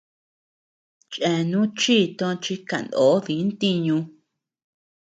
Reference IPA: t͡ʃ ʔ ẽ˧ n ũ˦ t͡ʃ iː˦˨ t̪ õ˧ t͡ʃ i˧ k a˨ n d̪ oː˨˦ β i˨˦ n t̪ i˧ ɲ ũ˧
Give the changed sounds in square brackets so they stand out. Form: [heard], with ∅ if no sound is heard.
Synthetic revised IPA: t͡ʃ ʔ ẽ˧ n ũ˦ t͡ʃ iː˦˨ t̪ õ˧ t͡ʃ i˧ k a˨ n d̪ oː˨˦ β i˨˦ n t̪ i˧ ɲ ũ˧